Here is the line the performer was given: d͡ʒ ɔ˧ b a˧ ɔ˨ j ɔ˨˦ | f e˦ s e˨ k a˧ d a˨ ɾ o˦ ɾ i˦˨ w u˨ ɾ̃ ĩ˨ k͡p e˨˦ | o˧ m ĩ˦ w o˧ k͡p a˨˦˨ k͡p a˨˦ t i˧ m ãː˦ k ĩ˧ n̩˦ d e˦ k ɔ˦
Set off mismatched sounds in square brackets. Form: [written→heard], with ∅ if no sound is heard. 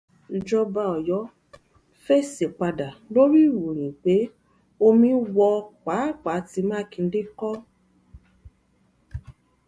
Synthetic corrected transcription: d͡ʒ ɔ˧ b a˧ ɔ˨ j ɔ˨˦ | f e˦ s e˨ [k→k͡p] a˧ d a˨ [ɾ→l] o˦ ɾ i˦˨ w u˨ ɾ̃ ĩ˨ k͡p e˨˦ | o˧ m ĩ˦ w [o˧→ɔ˧] k͡p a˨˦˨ k͡p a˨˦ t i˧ m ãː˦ k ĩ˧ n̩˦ d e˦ k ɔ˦